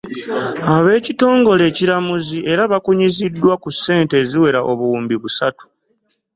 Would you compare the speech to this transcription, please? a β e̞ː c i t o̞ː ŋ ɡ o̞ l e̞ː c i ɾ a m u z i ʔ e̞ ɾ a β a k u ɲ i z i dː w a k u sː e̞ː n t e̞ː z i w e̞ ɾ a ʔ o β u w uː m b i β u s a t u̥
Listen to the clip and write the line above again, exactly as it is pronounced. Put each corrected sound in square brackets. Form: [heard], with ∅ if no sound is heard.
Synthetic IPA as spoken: a β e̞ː c i t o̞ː ŋ ɡ o̞ l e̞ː c i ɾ a m u z i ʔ e̞ ɾ a β a k u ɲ i z i dː w a k u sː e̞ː n t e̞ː z i w e̞ ɾ a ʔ o β u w uː m b i β u s a t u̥